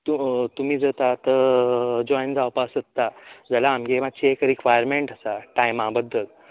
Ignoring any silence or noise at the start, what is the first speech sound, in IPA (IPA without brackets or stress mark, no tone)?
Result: t̪